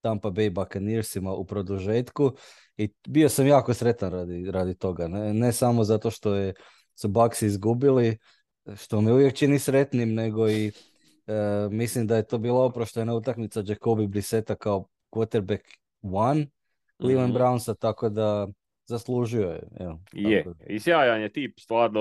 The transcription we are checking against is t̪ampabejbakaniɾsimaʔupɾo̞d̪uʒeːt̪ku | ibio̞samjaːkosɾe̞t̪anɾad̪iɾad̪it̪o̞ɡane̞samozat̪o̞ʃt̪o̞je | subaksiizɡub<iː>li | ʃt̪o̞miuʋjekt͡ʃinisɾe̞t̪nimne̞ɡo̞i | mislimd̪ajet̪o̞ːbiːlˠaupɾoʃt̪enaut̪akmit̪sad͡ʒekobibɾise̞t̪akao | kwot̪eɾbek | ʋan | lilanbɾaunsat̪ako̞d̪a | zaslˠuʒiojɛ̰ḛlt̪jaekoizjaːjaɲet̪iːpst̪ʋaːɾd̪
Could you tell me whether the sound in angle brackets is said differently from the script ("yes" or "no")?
yes